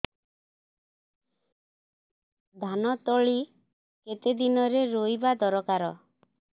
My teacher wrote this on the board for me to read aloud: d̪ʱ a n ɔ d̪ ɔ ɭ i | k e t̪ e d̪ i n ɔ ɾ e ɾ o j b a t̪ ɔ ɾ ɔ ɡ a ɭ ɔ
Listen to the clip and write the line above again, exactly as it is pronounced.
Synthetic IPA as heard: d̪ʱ a n ɔ t̪ ɔ ɭ i | k e t̪ e d̪ i n ɔ ɾ e ɾ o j b a d̪ ɔ ɾ ɔ k a ɾ ɔ